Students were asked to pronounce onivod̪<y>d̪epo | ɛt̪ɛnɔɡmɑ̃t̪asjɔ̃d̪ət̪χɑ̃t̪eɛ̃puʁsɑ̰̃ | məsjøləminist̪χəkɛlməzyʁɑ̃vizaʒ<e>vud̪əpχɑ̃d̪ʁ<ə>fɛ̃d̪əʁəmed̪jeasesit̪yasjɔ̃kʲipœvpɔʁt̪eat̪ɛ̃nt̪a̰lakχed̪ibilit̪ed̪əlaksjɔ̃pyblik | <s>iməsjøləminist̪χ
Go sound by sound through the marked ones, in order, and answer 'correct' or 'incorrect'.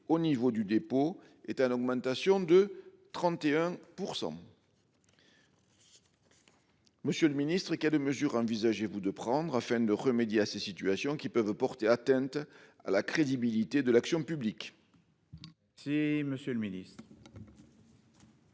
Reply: correct, correct, incorrect: a, correct

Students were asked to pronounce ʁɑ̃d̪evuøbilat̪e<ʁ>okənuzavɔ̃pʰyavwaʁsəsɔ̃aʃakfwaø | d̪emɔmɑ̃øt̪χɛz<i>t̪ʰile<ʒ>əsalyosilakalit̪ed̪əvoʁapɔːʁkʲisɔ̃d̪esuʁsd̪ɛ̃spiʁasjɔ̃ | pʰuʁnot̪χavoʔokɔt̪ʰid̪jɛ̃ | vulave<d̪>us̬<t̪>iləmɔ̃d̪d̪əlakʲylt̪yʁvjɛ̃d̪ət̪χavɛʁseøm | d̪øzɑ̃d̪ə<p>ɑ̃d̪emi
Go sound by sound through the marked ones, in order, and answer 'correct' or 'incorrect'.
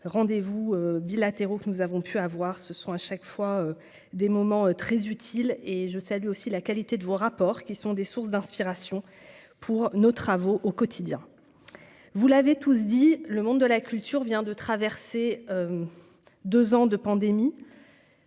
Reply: correct, incorrect: y, correct, incorrect: t̪, incorrect: d̪, correct

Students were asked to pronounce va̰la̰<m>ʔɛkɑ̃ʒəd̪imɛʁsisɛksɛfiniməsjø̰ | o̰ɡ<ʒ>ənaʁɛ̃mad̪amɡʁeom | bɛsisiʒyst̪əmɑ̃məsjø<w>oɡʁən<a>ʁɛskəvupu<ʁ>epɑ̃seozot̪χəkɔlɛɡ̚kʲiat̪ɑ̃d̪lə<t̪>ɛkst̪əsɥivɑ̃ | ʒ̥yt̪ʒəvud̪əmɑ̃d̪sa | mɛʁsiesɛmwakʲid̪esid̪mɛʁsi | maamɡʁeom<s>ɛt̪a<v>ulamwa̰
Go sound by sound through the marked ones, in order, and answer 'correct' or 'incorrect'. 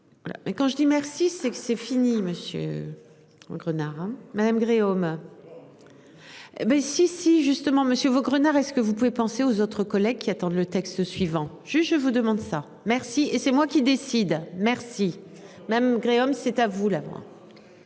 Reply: correct, incorrect: ʁ, incorrect: v, correct, incorrect: v, correct, correct, correct

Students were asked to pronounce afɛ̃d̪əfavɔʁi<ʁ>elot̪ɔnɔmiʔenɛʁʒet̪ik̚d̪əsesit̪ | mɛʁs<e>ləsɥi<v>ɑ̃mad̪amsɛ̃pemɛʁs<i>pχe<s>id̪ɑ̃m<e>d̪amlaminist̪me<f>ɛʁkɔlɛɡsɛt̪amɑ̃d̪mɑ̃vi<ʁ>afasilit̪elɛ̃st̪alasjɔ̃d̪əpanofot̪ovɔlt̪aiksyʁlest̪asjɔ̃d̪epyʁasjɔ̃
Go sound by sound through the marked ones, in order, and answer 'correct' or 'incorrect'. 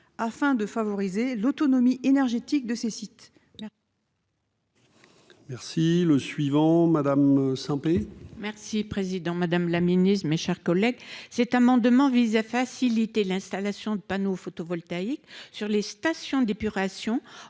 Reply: incorrect: z, incorrect: i, correct, correct, incorrect: z, incorrect: a, incorrect: ʃ, incorrect: z

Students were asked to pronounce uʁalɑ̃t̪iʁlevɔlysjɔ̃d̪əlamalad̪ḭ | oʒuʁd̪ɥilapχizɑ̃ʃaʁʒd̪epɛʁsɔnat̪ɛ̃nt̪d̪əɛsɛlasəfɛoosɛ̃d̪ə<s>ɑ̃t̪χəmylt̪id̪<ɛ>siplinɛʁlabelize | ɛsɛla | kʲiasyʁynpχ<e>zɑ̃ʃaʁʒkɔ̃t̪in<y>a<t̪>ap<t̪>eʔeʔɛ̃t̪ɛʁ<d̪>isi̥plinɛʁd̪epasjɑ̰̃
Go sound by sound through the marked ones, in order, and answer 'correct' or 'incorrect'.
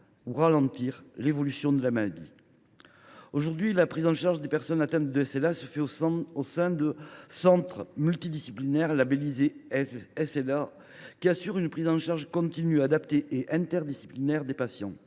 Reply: correct, incorrect: i, incorrect: i, correct, incorrect: d̪, correct, correct

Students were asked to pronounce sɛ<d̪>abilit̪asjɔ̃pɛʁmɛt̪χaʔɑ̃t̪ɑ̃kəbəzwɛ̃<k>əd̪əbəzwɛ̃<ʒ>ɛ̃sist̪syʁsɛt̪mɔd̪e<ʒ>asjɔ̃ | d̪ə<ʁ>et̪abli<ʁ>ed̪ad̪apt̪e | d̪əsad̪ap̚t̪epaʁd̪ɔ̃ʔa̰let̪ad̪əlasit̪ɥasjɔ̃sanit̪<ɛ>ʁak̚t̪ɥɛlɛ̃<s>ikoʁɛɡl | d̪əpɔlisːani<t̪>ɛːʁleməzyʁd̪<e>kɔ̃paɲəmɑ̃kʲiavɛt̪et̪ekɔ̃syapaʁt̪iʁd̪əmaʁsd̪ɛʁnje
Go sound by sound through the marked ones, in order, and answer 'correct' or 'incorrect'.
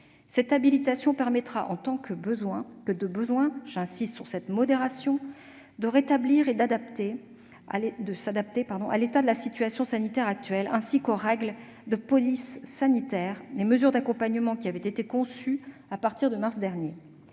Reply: incorrect: t̪, correct, correct, incorrect: ʁ, correct, correct, correct, correct, correct, incorrect: a

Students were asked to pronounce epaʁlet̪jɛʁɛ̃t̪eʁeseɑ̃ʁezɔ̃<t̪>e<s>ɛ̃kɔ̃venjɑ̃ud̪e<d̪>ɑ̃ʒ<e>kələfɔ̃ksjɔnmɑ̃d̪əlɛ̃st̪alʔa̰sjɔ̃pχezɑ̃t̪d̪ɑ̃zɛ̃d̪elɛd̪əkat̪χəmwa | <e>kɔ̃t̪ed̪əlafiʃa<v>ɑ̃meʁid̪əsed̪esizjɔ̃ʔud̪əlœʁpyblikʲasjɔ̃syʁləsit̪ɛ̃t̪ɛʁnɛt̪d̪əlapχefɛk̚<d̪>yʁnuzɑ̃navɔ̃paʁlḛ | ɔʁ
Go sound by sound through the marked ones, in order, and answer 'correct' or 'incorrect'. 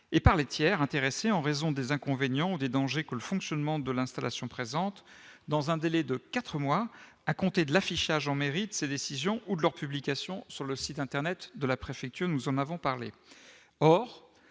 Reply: incorrect: d̪, incorrect: z, correct, correct, incorrect: a, incorrect: ʒ, incorrect: t̪

